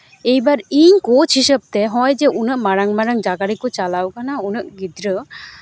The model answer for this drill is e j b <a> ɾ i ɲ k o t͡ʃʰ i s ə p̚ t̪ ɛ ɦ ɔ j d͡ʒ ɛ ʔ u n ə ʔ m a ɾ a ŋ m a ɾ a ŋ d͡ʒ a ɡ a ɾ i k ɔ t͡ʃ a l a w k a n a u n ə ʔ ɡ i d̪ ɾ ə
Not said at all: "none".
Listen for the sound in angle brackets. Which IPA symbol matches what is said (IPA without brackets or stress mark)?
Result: a